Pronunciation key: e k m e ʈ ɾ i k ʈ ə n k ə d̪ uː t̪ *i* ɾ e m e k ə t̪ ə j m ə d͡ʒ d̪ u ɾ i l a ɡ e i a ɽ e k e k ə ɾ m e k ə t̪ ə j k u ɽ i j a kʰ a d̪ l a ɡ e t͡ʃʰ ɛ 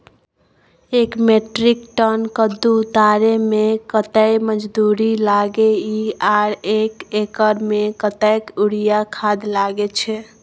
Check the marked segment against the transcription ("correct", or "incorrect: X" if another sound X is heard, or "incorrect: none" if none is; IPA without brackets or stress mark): incorrect: a